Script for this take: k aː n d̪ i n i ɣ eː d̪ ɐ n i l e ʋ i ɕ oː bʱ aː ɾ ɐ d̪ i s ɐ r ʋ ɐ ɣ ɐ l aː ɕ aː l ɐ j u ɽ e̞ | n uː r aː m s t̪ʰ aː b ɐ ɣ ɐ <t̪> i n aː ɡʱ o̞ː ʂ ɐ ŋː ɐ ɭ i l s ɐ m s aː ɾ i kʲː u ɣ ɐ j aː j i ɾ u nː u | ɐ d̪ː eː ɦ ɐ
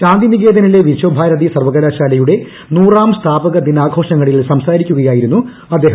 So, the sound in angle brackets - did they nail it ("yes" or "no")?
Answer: no